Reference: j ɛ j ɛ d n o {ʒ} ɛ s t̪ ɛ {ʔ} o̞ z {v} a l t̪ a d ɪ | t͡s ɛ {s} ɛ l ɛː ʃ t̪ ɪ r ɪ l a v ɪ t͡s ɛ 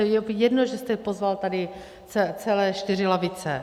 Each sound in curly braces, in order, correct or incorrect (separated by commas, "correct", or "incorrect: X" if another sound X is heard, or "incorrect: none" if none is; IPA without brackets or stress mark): correct, incorrect: p, correct, incorrect: t͡s